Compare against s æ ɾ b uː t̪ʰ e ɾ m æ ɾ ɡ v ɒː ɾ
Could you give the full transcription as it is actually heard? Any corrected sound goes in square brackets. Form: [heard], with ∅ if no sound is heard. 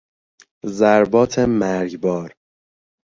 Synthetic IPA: [z] æ ɾ b [ɒː] t̪ʰ e [∅] m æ ɾ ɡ [b] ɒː ɾ